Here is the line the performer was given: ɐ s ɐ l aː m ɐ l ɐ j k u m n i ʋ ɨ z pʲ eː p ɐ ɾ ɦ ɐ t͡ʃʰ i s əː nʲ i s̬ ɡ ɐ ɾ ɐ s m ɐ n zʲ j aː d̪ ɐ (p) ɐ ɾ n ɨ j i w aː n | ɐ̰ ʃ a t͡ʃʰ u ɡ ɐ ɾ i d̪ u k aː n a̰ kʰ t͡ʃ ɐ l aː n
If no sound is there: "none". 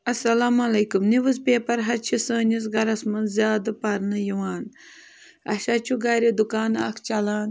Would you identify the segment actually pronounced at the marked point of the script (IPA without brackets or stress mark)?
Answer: p